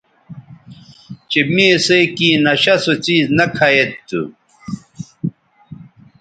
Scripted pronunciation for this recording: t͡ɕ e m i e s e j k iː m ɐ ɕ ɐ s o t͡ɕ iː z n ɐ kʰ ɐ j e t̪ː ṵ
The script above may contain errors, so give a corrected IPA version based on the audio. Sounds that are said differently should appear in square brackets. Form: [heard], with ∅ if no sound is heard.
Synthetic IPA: t͡ɕ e m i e s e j k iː [n] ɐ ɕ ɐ s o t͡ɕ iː z n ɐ kʰ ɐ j e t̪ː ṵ